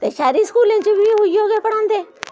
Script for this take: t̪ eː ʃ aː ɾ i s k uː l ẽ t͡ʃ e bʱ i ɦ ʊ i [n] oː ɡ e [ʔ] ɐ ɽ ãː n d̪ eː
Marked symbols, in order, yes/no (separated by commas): no, no